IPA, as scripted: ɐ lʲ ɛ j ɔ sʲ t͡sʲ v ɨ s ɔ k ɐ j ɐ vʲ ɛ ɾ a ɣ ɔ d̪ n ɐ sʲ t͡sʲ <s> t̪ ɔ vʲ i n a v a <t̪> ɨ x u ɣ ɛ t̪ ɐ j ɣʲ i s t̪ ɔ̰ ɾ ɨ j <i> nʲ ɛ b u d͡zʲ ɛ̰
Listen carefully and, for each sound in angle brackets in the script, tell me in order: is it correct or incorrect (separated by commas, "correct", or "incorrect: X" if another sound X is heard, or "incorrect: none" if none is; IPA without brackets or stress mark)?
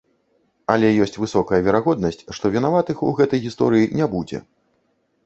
incorrect: ʂ, correct, correct